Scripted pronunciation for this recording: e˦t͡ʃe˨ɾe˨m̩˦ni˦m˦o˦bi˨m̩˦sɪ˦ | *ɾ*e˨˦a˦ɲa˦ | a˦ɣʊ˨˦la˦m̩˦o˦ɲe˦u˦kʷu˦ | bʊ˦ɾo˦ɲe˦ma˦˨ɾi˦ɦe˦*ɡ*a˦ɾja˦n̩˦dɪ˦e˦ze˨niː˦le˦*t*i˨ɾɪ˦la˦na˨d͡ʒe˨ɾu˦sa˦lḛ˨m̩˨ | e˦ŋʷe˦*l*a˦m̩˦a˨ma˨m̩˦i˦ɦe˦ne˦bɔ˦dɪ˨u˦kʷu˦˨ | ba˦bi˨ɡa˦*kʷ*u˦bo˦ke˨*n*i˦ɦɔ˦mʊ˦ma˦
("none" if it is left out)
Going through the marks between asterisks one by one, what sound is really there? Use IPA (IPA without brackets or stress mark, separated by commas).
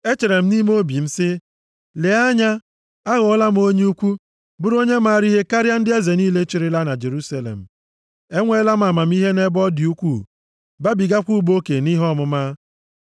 l, k, t͡ʃ, l, kʷ, n